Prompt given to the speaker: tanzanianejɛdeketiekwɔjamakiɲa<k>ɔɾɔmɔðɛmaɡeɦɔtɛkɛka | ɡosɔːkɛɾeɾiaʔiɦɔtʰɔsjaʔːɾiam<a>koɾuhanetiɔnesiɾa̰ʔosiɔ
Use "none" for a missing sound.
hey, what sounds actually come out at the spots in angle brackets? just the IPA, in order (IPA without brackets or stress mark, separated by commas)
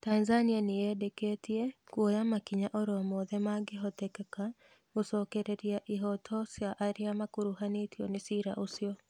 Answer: ʔ, a